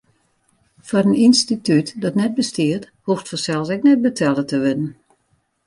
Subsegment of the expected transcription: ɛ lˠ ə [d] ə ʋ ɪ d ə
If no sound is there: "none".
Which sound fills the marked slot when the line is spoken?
t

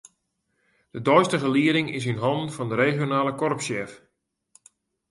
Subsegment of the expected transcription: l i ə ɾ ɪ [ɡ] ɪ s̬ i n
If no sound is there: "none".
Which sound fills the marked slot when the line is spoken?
ŋ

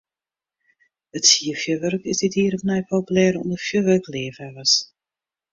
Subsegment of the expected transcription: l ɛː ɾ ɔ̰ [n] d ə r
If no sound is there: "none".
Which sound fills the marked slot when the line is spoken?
n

